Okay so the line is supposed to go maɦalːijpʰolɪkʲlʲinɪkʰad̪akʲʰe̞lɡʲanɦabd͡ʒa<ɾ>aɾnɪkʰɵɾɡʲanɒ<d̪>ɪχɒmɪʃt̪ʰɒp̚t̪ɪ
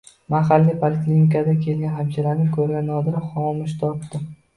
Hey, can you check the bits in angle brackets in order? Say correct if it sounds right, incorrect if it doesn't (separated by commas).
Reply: incorrect, correct